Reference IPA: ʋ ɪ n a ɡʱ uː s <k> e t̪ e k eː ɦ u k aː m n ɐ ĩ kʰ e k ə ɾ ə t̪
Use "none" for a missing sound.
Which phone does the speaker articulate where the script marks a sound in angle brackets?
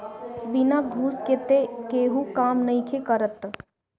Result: k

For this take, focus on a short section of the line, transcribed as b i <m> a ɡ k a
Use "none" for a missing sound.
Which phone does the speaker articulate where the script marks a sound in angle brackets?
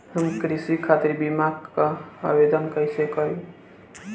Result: m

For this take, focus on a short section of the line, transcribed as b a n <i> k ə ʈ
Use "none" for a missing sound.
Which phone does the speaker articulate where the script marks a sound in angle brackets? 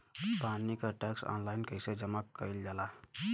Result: i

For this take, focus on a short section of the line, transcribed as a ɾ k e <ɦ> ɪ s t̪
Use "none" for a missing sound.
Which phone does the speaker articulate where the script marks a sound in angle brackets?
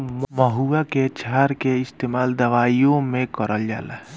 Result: none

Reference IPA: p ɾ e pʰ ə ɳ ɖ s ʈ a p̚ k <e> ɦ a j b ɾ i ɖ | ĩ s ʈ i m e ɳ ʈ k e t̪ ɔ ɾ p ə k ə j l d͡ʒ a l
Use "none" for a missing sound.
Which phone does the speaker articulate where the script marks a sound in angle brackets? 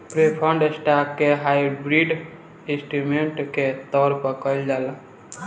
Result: e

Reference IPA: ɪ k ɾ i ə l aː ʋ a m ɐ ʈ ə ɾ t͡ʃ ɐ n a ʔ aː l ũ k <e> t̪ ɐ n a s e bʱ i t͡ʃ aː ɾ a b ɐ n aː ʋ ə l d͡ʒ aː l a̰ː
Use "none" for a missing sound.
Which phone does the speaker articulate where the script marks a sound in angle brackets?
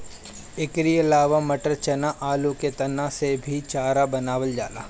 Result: e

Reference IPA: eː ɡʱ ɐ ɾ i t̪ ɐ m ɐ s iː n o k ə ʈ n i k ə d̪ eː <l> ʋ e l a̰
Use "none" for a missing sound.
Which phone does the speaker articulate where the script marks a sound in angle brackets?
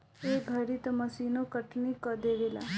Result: none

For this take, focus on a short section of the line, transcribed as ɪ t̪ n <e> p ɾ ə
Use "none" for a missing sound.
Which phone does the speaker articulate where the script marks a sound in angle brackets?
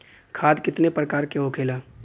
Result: e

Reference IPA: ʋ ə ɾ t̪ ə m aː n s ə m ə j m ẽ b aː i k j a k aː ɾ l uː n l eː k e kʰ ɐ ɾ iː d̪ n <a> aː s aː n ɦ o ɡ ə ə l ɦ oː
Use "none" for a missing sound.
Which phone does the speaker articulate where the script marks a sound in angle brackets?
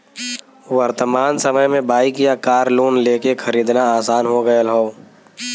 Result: a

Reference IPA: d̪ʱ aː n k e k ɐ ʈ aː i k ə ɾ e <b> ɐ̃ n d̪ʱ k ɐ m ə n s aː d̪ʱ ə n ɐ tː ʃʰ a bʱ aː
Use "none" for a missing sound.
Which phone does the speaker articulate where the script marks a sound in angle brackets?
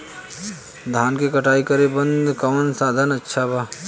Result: b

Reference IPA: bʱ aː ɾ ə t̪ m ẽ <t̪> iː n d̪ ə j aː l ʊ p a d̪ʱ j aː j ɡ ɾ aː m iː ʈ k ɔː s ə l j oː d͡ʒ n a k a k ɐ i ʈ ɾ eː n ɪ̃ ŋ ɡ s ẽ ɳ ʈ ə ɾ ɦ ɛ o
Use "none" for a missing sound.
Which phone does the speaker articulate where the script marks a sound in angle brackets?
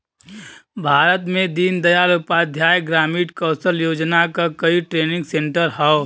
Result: d̪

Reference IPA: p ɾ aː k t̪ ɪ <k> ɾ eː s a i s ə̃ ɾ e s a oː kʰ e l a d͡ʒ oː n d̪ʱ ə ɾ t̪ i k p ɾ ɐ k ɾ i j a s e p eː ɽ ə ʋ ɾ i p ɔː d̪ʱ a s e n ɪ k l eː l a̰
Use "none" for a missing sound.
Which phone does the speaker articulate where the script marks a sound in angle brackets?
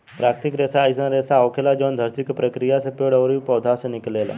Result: k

